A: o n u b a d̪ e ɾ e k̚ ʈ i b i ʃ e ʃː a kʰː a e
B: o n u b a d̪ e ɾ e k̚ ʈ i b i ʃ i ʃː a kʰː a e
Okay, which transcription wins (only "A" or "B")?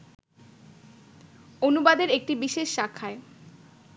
A